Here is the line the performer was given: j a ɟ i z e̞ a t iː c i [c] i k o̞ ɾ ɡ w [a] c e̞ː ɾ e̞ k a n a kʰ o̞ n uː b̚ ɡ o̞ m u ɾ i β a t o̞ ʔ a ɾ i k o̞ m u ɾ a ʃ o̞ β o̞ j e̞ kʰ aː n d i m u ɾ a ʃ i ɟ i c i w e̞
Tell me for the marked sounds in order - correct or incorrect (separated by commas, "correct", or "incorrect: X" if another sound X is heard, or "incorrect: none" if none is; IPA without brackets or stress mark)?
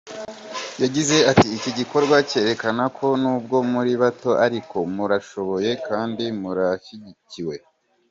incorrect: ɟ, correct